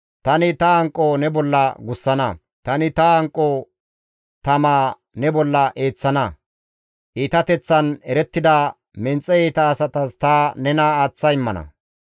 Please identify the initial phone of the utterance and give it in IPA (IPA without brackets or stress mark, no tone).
t̪